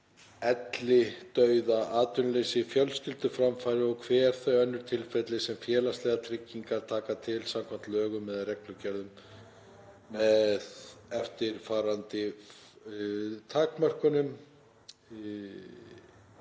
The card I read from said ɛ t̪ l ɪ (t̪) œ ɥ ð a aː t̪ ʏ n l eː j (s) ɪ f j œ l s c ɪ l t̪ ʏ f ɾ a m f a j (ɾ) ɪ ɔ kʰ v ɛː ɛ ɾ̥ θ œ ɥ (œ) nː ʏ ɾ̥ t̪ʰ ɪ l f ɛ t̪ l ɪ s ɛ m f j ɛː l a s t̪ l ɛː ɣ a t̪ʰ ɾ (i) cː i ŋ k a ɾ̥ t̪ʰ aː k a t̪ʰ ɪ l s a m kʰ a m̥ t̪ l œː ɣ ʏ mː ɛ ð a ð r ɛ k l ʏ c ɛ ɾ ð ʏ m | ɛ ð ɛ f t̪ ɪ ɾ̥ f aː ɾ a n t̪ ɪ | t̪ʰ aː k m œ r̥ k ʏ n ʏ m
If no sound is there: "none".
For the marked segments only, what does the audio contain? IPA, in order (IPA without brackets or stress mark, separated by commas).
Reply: t̪, s, ɾ, œ, ɪ